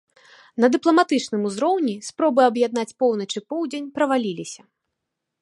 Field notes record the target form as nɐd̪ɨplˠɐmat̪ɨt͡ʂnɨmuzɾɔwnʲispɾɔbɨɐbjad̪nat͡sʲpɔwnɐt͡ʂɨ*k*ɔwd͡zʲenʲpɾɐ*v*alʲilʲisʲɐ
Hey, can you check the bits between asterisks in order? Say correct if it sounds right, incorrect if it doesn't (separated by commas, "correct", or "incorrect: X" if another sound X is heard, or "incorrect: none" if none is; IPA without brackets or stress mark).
incorrect: p, correct